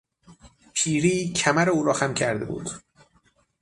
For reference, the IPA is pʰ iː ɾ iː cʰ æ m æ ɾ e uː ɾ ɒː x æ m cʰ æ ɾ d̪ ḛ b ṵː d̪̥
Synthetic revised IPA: pʰ iː ɾ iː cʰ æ m æ ɾ e uː ɾ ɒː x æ m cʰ æ ɾ d̪ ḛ b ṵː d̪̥